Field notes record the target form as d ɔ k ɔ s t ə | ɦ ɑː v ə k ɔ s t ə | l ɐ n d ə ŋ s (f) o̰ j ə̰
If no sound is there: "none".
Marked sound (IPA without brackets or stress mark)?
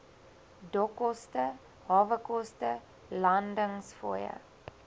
f